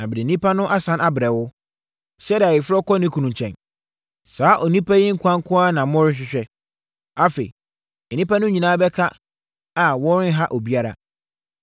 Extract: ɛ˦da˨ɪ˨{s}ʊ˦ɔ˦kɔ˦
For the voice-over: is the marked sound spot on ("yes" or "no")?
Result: no